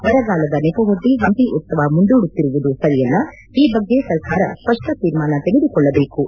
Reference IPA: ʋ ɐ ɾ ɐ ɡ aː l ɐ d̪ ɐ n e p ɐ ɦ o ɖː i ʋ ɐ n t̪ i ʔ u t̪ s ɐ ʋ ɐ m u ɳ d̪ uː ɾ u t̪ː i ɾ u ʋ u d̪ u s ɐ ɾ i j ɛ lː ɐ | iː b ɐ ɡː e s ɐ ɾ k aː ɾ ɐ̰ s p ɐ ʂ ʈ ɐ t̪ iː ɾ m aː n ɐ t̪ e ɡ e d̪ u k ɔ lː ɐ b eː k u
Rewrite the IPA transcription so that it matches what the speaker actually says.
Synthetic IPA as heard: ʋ ɐ ɾ ɐ ɡ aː l ɐ d̪ ɐ n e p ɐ ɦ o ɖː i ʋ ɐ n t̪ i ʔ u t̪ s ɐ ʋ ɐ m u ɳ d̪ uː ɽ u t̪ː i ɾ u ʋ u d̪ u s ɐ ɾ i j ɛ lː ɐ | iː b ɐ ɡː e s ɐ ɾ k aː ɾ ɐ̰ s p ɐ ʂ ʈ ɐ t̪ iː ɾ m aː n ɐ t̪ e ɡ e d̪ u k ɔ ɭː ɐ b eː k u